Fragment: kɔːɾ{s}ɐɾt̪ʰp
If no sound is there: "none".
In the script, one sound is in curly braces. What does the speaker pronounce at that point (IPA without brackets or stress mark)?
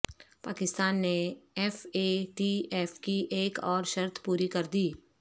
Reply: ʃ